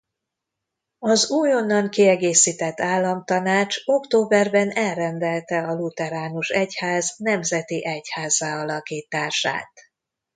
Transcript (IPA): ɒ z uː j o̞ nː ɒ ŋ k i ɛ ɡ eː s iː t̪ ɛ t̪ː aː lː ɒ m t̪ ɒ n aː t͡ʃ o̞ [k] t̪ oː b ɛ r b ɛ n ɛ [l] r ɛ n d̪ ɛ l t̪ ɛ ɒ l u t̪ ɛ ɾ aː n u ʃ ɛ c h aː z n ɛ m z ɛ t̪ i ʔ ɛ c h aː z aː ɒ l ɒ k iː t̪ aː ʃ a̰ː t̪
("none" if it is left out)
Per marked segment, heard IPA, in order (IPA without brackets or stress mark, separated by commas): k, l